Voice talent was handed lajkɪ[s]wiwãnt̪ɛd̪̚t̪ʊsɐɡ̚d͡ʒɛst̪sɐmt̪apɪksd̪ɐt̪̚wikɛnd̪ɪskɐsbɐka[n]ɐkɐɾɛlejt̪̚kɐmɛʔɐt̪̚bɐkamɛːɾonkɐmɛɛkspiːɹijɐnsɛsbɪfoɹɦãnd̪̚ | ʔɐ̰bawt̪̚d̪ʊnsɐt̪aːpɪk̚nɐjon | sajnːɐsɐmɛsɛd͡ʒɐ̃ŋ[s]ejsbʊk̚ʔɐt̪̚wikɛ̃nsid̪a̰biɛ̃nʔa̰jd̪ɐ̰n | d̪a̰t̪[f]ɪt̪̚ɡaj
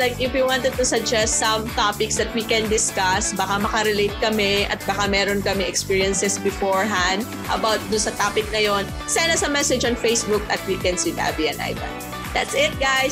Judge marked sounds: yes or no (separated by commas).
no, no, no, no